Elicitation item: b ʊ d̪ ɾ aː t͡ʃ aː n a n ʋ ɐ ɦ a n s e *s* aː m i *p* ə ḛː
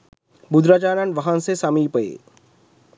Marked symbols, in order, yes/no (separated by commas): yes, yes